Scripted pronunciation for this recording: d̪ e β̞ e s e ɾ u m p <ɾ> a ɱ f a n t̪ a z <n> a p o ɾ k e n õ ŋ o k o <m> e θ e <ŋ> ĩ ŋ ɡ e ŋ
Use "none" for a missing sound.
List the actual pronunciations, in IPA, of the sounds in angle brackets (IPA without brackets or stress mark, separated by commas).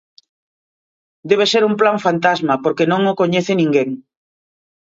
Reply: l, m, ɲ, n